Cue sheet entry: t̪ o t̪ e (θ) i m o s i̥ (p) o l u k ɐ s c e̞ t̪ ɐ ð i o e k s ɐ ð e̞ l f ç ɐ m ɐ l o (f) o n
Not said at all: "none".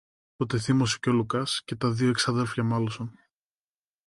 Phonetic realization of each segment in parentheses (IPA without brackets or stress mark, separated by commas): θ, c, s